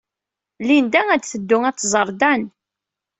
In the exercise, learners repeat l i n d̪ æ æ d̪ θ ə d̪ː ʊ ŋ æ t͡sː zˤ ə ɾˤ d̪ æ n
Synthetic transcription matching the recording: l i n d̪ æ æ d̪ θ ə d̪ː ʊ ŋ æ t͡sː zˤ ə ɾˤ d̪ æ n